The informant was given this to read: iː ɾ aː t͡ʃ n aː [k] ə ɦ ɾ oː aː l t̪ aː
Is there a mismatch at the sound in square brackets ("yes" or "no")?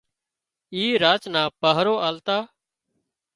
yes